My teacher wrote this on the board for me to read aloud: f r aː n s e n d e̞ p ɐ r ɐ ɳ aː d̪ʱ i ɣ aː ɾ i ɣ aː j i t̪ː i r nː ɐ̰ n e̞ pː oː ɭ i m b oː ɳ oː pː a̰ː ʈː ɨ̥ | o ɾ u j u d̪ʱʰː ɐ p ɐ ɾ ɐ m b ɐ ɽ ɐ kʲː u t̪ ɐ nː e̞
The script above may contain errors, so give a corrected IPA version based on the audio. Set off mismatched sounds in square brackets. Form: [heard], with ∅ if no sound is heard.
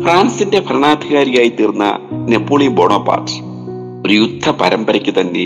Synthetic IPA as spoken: f r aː n s [i] n d e̞ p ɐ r ɐ ɳ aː d̪ʱ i ɣ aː ɾ i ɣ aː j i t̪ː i r nː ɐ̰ n e̞ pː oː ɭ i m b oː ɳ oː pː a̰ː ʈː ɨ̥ | o ɾ u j u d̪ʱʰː ɐ p ɐ ɾ ɐ m b ɐ [ɾ] ɐ kʲː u t̪ ɐ nː e̞